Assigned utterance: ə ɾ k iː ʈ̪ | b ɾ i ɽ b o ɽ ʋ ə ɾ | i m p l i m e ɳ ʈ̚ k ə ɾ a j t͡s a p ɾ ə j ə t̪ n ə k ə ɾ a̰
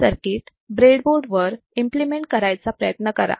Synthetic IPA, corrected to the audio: ə ɾ k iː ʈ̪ | b ɾ e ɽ b o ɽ ʋ ə ɾ | i m p l i m e ɳ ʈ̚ k ə ɾ a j t͡s a p ɾ ə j ə t̪ n ə k ə ɾ a̰